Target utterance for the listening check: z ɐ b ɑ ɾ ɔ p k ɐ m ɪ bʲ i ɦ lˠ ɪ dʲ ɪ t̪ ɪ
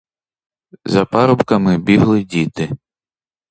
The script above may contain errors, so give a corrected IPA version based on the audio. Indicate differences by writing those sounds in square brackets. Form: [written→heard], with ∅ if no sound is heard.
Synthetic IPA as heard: z ɐ [b→p] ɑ ɾ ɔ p k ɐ m ɪ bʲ i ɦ lˠ ɪ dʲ [ɪ→i] t̪ ɪ